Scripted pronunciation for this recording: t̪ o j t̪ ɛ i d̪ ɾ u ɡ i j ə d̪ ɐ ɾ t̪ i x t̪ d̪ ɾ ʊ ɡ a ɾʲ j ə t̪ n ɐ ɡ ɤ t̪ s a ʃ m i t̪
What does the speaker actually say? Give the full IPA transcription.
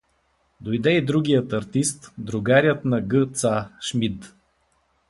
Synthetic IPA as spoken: d̪ o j d̪ ɛ i d̪ ɾ u ɡ i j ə t̪ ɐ ɾ t̪ i s t̪ d̪ ɾ ʊ ɡ a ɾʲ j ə t̪ n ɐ ɡ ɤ t̪ s a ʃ m i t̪